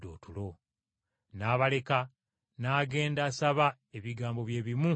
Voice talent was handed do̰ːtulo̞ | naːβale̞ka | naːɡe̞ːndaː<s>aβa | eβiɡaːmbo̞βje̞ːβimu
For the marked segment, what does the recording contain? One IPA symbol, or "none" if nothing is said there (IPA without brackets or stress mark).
s